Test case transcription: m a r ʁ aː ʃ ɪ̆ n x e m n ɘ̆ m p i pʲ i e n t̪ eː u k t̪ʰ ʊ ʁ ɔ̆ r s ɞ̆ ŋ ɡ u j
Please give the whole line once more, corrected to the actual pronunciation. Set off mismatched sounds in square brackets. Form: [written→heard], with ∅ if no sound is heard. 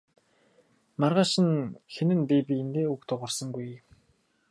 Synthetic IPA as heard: m a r ʁ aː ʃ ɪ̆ n x e [m→∅] n ɘ̆ [m→n] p i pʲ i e n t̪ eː u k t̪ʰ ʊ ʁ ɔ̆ r s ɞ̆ ŋ ɡ u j